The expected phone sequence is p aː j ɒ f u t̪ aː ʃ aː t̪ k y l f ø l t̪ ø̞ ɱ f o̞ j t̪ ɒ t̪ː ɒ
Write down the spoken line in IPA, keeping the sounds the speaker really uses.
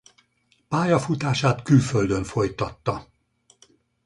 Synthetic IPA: p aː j ɒ f u t̪ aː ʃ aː t̪ k y l f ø l d̪ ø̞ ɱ f o̞ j t̪ ɒ t̪ː ɒ